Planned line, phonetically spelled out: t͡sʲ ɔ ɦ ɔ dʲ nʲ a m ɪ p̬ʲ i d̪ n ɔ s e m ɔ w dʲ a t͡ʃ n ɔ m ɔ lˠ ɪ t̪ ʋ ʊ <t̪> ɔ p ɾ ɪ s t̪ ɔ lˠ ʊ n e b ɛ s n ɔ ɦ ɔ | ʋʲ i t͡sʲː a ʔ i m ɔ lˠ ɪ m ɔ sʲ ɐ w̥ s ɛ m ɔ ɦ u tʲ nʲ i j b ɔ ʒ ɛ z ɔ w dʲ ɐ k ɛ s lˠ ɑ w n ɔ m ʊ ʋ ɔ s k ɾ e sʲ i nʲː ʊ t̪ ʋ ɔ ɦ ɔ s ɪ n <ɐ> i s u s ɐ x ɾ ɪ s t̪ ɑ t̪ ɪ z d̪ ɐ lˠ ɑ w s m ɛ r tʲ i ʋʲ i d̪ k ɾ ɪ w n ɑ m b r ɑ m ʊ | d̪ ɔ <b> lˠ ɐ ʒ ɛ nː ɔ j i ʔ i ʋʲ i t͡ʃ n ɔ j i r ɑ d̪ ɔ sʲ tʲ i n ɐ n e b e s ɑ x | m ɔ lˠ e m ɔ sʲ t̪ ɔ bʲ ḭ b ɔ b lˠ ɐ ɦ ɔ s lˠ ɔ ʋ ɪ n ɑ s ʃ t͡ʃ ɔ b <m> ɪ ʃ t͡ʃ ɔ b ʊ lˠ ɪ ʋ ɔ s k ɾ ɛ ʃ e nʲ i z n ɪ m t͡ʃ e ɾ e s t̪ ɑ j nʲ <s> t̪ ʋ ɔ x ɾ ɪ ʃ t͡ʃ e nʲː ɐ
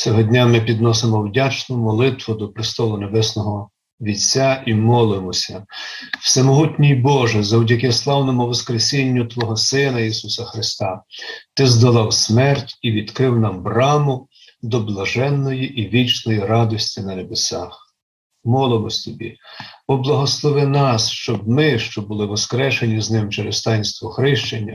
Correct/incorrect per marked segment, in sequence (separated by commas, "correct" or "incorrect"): incorrect, correct, correct, correct, correct